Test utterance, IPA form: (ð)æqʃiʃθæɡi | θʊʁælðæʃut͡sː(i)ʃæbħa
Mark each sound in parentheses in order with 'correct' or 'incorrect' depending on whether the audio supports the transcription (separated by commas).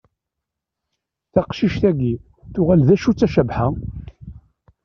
incorrect, incorrect